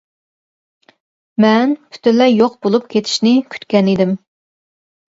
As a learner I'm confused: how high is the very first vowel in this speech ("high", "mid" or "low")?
mid